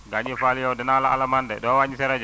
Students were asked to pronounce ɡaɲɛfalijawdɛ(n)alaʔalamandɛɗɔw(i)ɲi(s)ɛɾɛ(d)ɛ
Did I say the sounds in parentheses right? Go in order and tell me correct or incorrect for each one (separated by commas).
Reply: correct, incorrect, correct, incorrect